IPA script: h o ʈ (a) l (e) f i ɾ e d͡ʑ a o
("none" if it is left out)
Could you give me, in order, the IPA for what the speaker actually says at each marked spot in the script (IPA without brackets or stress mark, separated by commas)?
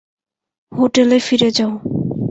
e, e